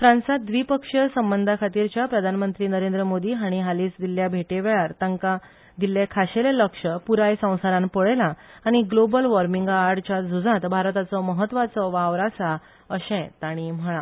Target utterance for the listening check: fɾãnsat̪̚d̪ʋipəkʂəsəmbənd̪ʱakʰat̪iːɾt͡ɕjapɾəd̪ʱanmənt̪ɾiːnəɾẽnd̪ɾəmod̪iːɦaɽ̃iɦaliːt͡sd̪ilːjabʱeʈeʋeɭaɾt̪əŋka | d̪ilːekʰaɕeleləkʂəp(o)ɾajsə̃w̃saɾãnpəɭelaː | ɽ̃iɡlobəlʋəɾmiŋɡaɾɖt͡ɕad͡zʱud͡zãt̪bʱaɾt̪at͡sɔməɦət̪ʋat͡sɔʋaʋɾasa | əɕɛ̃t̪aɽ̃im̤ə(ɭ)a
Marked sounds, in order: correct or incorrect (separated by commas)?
incorrect, correct